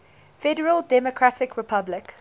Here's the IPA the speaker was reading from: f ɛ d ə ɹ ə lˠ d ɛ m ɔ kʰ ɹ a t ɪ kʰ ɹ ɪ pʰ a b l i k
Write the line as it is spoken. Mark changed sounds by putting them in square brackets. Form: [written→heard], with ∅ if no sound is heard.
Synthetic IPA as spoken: f ɛ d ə ɹ ə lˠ d ɛ m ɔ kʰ ɹ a t ɪ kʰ ɹ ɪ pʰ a b l [i→ɪ] k

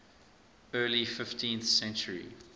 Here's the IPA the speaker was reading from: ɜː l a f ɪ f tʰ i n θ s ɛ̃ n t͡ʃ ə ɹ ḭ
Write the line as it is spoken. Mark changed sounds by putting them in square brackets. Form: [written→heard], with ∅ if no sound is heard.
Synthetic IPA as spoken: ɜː l [a→i] f ɪ f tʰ [i→ĩ] n θ s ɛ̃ n t͡ʃ ə ɹ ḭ

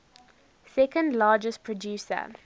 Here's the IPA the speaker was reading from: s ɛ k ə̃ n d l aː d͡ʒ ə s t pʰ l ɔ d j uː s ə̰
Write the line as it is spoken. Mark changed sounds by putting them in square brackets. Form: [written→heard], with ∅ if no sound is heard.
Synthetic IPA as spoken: s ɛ k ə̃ n d l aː d͡ʒ ə s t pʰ [l→ɹ] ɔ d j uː s ə̰

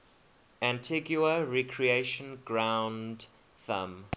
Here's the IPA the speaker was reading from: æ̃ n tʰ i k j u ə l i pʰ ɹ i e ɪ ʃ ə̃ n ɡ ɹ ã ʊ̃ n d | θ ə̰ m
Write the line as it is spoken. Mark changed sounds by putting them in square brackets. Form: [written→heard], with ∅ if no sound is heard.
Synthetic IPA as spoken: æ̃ n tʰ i [k→ɡ] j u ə [l→ɹ] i [pʰ→kʰ] ɹ i e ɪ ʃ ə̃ n ɡ ɹ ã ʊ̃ n d | θ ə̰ m

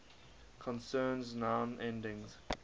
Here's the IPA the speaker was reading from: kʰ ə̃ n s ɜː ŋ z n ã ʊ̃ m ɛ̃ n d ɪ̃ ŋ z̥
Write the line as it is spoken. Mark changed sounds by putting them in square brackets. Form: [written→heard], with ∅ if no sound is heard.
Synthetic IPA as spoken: kʰ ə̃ n s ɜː [ŋ→n] z n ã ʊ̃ [m→n] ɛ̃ n d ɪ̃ ŋ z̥

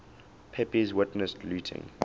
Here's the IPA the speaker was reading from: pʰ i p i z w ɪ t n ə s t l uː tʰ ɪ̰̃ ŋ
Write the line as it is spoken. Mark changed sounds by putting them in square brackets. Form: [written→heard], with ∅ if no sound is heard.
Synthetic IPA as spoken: pʰ [i→ɛ] p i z w ɪ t n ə s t l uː tʰ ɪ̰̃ ŋ

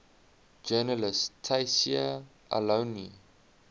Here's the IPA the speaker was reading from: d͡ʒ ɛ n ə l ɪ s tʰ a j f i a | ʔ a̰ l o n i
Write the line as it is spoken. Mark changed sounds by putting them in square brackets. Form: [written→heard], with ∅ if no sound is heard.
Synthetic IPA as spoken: d͡ʒ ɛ n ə l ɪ s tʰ a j [f→s] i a | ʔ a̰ l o n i

